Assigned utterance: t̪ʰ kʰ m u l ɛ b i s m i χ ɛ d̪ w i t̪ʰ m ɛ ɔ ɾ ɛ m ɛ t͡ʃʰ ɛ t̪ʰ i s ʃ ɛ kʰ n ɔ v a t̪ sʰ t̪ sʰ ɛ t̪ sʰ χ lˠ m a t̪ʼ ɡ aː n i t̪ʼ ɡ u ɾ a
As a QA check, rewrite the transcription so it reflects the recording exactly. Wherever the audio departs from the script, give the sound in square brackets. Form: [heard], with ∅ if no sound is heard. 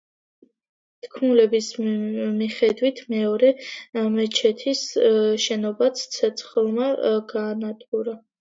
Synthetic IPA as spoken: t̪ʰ kʰ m u l ɛ b i s m i χ ɛ d̪ w i t̪ʰ m ɛ ɔ ɾ ɛ m ɛ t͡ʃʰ ɛ t̪ʰ i s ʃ ɛ [∅] n ɔ [b] a t̪ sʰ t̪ sʰ ɛ t̪ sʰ χ lˠ m a [∅] ɡ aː n [a] t̪ʼ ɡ u ɾ a